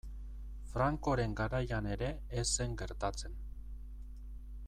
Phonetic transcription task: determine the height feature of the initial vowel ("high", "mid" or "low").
low